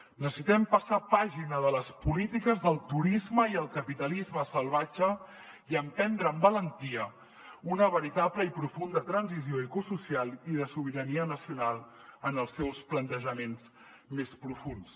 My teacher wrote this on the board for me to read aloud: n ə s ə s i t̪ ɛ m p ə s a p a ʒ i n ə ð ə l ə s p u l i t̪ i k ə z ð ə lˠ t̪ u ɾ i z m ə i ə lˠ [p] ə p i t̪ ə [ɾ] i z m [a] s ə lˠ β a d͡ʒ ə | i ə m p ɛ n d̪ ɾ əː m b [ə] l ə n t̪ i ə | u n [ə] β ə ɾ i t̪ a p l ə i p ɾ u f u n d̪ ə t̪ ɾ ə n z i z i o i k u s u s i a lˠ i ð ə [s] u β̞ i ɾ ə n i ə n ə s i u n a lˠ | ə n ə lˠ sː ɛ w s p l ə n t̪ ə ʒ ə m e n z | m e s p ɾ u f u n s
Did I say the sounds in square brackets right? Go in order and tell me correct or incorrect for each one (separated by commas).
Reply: incorrect, incorrect, incorrect, correct, correct, correct